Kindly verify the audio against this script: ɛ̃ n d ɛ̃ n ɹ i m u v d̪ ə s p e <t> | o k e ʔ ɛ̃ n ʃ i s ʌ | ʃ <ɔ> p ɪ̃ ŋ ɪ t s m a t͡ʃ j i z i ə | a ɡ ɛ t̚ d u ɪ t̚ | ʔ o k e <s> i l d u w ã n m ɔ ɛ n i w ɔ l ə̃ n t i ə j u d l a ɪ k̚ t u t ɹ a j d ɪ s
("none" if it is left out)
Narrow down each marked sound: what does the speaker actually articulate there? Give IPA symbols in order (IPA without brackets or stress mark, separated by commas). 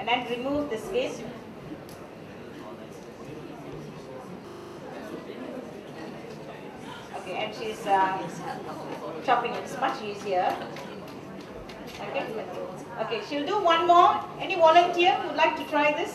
s, ɔ, ʃ